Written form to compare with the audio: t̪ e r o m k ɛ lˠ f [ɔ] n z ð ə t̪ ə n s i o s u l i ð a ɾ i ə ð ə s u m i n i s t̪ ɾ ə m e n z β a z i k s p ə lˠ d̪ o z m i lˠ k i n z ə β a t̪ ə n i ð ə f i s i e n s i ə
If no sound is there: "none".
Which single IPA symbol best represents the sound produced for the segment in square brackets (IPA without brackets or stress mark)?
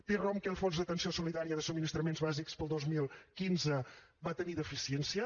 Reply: o